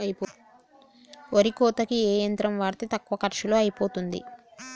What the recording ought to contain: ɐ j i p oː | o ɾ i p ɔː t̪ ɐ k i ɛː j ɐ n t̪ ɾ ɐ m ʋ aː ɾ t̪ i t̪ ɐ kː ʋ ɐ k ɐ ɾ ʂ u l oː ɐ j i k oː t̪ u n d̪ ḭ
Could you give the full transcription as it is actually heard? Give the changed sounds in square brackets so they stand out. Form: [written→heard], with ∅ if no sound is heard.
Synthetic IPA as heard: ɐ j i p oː | o ɾ i [p→k] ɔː t̪ ɐ k i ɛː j ɐ n t̪ ɾ ɐ m ʋ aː ɾ t̪ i t̪ ɐ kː ʋ ɐ k ɐ ɾ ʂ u l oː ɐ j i [k→p] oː t̪ u n d̪ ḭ